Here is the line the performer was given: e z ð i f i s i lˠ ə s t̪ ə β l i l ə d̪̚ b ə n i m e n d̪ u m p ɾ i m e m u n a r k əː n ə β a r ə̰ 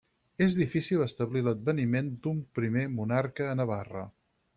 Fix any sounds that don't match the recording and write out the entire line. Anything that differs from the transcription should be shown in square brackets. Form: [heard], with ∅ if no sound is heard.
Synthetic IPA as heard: e z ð i f i s i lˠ ə s t̪ ə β l i l ə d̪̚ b ə n i m e n d̪ u m p ɾ i m e m u n a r k əː n ə β a r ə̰